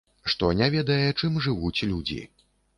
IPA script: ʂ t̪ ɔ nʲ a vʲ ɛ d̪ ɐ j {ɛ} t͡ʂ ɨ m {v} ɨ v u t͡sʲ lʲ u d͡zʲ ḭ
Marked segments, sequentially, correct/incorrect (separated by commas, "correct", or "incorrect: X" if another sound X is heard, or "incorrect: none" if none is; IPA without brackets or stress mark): correct, incorrect: ʐ